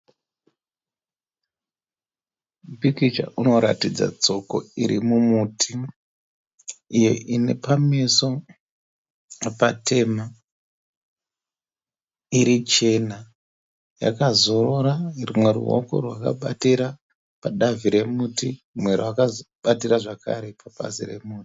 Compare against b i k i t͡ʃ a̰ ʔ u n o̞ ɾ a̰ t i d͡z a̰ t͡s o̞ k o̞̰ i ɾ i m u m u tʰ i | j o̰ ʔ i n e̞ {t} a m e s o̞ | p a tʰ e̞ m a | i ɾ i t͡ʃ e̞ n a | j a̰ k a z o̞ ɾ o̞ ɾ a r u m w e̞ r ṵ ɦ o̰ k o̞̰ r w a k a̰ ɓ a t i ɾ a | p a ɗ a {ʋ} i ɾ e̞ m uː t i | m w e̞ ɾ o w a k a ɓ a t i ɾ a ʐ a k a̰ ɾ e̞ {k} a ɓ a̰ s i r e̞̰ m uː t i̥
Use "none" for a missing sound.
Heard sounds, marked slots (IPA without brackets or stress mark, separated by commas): p, v, p